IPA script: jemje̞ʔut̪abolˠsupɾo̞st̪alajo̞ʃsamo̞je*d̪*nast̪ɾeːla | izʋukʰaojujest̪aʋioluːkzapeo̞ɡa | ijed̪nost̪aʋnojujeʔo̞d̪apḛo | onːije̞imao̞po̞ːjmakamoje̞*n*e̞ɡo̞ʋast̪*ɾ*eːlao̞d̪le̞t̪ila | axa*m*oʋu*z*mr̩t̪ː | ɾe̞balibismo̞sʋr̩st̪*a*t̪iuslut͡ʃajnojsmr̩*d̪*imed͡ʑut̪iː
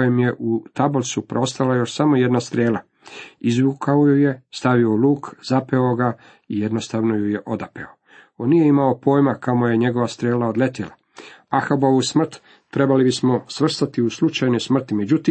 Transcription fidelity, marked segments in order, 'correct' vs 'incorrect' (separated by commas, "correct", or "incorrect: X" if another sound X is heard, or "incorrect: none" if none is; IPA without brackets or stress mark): correct, incorrect: ɲ, correct, incorrect: b, incorrect: s, correct, incorrect: t̪